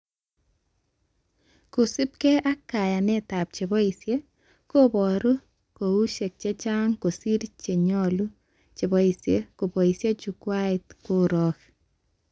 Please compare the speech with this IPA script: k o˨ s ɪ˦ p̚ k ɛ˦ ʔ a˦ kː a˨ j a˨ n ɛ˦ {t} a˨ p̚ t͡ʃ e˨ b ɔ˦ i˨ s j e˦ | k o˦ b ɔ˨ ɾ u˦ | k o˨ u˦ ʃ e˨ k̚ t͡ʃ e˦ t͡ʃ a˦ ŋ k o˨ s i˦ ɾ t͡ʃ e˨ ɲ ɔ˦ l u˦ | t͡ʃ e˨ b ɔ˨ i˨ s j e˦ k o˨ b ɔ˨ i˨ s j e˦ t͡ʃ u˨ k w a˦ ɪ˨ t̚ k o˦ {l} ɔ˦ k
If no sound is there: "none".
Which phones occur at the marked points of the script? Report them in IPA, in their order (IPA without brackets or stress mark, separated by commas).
t, ɾ